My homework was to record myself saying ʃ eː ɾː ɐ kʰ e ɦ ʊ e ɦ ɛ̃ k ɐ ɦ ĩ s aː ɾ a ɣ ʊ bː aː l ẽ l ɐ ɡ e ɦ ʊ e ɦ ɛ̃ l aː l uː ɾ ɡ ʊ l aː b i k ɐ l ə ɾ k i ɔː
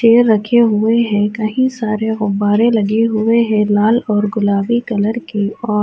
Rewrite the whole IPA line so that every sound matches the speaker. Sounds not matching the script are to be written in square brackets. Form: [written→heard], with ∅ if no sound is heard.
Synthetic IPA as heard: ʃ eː ɾː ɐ kʰ e ɦ ʊ e ɦ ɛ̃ k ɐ ɦ ĩ s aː ɾ [a→e] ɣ ʊ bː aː [l→ɾ] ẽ l ɐ ɡ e ɦ ʊ e ɦ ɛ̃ l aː l [uː→ɔː] ɾ ɡ ʊ l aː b i k ɐ l ə ɾ k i ɔː